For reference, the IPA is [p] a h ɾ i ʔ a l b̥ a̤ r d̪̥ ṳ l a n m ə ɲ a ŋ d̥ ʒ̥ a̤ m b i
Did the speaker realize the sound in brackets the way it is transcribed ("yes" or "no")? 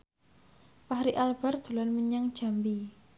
yes